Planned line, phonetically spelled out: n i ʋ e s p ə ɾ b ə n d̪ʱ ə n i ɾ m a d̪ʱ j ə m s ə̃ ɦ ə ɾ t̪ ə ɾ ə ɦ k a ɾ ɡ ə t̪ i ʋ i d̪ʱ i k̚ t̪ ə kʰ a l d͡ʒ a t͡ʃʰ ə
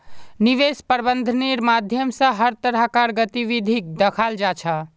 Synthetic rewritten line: n i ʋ e s p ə ɾ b ə n d̪ʱ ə n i ɾ m a d̪ʱ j ə m s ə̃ ɦ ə ɾ t̪ ə ɾ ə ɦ k a ɾ ɡ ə t̪ i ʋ i d̪ʱ i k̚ d̪ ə kʰ a l d͡ʒ a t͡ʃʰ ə